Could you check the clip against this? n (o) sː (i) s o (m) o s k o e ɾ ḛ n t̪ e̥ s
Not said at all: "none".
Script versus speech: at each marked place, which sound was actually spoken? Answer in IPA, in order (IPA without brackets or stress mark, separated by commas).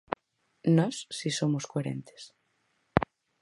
ɔ, i, m